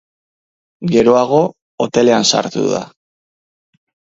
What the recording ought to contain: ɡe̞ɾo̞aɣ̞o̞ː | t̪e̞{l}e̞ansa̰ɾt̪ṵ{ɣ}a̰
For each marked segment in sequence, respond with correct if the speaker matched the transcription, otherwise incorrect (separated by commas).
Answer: correct, incorrect